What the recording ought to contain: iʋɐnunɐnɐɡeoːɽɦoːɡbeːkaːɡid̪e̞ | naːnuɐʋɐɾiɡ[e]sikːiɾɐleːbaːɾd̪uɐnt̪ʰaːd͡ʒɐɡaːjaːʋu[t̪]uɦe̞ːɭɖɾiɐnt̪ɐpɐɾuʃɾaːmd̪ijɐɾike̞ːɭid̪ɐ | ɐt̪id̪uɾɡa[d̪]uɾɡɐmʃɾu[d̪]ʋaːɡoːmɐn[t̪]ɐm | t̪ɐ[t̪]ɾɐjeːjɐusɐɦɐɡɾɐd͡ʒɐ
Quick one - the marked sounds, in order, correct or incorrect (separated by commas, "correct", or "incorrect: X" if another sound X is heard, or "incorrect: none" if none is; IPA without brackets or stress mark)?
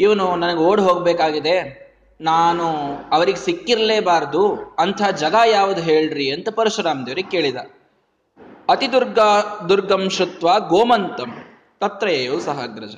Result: correct, incorrect: d̪, correct, incorrect: t̪, correct, correct